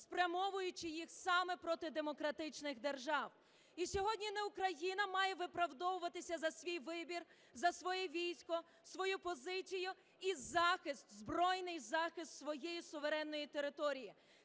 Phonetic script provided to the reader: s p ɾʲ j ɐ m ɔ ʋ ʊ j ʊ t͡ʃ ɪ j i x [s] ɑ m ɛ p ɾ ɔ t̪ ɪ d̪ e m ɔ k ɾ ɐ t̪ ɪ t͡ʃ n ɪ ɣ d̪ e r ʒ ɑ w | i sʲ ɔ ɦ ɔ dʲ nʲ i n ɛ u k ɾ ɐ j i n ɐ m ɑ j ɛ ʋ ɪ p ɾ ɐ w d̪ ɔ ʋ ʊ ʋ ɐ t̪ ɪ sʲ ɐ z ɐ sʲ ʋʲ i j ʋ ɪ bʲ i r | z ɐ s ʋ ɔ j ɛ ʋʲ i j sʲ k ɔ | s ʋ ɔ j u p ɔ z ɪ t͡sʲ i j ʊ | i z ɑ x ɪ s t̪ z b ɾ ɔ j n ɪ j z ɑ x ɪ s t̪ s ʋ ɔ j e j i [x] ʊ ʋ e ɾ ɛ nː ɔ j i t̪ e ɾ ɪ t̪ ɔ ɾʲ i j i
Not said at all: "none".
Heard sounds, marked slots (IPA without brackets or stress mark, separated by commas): s, s